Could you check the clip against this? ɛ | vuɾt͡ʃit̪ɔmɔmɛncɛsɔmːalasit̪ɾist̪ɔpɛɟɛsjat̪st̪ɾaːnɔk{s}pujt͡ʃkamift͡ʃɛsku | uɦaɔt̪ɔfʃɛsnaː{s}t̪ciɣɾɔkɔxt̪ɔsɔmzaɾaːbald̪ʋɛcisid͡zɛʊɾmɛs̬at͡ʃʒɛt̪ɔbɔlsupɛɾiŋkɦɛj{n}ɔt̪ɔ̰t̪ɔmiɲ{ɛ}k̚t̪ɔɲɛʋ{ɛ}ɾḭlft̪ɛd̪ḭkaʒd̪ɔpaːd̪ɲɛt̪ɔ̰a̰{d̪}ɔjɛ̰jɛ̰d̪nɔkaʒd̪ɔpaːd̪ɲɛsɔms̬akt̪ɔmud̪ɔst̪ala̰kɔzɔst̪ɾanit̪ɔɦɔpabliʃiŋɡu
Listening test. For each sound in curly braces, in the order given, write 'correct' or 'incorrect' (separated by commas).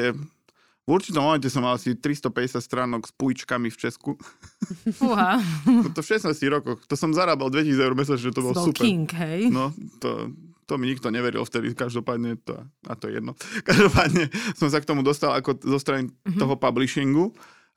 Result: correct, correct, correct, incorrect, correct, incorrect